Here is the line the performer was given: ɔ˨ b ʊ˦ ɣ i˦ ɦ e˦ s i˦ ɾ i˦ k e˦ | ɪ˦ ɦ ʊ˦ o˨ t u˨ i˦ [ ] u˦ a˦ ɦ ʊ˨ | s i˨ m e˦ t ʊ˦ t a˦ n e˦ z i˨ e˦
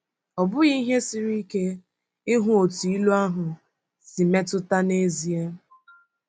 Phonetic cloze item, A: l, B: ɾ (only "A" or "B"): A